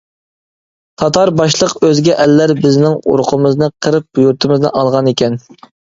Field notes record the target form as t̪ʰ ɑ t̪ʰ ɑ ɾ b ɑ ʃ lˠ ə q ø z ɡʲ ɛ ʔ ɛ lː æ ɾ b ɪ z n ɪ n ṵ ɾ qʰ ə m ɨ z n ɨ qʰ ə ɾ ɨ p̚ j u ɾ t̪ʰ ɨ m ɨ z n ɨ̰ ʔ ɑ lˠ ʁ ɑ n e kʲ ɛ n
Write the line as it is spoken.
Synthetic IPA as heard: t̪ʰ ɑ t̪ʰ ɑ ɾ b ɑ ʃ lˠ ə q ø z ɡʲ ɛ ʔ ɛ lː æ ɾ b ɪ z n ɪ ŋ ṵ ɾ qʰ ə m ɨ z n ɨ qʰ ə ɾ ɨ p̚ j u ɾ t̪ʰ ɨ m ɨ z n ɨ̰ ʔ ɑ lˠ ʁ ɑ n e kʲ ɛ n